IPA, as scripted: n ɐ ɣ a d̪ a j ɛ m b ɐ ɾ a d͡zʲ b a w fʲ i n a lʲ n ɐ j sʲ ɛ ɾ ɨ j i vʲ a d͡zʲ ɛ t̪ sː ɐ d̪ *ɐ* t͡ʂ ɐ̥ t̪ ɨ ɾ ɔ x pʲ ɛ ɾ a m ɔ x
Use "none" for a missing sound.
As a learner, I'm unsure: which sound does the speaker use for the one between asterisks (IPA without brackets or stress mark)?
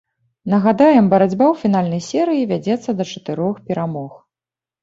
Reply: ɐ